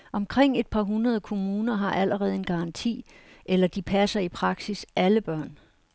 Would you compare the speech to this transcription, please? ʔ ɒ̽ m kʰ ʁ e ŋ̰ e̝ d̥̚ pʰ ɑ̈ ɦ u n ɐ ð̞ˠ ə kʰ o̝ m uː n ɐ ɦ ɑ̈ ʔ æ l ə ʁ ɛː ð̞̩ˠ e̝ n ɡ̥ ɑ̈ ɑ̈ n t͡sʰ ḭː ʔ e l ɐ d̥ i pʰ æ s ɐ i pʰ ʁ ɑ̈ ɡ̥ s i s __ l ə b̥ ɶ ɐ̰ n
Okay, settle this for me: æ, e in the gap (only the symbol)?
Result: æ